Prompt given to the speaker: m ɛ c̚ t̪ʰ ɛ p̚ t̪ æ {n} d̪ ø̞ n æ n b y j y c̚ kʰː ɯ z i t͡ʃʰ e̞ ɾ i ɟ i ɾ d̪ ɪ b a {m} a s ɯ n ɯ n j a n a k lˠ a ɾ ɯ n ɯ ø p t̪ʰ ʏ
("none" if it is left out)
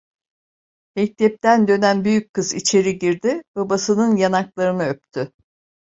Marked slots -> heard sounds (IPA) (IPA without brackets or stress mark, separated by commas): n, b